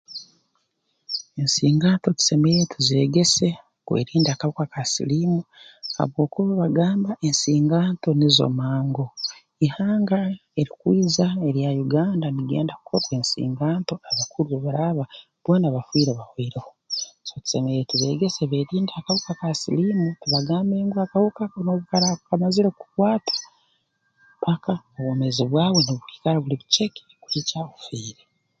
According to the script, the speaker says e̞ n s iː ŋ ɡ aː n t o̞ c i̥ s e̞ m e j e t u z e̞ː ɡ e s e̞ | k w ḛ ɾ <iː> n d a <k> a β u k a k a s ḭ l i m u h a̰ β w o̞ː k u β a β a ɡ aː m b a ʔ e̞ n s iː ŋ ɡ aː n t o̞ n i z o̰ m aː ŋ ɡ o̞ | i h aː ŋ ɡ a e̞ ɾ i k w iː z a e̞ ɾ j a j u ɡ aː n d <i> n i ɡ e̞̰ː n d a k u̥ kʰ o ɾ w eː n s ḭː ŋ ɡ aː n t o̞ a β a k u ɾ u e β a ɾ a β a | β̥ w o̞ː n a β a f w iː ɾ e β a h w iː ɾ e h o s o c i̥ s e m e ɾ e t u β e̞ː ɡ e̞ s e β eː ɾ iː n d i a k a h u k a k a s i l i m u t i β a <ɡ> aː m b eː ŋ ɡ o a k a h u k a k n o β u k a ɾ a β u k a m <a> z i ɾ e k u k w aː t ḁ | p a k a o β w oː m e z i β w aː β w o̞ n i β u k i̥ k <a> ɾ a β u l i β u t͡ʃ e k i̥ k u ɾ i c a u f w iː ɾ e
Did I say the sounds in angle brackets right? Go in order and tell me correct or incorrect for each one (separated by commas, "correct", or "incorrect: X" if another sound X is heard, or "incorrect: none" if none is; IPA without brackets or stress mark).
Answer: correct, correct, incorrect: a, correct, correct, correct